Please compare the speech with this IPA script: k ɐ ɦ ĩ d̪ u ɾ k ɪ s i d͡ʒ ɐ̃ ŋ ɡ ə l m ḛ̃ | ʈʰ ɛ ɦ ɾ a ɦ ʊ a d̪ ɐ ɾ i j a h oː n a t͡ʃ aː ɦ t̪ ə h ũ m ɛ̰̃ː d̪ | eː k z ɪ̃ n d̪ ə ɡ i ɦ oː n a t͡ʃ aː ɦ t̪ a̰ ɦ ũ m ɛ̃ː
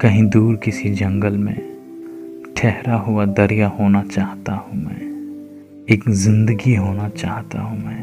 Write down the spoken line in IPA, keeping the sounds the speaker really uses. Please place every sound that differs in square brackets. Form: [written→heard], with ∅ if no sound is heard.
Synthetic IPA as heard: k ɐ ɦ ĩ d̪ [u→uː] ɾ k ɪ s i d͡ʒ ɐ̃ ŋ ɡ ə l m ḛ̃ | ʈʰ ɛ ɦ ɾ a ɦ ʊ a d̪ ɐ ɾ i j a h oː n a t͡ʃ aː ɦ t̪ [ə→a] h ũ m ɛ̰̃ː [d̪→∅] | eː k z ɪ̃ n d̪ ə ɡ i ɦ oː n a t͡ʃ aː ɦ t̪ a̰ ɦ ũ m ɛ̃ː